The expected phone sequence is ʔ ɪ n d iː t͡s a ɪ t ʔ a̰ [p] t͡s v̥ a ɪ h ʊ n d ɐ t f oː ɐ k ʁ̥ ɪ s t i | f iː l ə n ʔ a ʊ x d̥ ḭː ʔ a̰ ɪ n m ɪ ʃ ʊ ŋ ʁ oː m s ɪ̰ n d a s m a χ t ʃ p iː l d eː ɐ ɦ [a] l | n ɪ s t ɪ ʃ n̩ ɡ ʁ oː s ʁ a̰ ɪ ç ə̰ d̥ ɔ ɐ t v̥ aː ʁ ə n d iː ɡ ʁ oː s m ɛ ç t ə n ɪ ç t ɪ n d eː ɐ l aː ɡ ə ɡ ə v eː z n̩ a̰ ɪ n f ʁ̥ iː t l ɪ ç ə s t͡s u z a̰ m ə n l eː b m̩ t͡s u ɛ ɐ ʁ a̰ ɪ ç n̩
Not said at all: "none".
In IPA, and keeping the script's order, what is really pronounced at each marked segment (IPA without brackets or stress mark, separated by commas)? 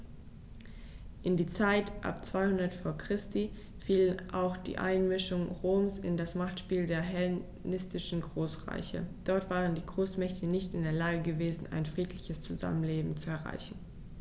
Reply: p, ɛ